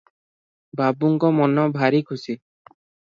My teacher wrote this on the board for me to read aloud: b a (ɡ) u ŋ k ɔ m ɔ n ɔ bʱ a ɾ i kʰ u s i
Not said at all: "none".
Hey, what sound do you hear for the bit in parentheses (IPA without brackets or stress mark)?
b